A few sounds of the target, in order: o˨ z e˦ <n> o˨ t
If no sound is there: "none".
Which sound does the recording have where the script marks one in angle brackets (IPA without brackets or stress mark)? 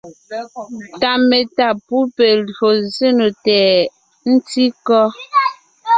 n